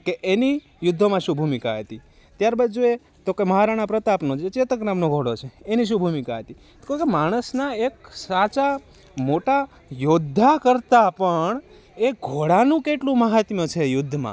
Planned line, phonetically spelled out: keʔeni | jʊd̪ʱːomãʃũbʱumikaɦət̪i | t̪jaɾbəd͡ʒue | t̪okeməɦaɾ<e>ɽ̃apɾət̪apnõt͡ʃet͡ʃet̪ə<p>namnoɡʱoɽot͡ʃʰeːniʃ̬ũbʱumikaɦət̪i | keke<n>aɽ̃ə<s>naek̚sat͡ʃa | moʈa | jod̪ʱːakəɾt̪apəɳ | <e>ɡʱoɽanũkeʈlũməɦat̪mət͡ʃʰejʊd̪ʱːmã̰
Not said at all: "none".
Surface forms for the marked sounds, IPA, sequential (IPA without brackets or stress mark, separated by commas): a, k, m, s, e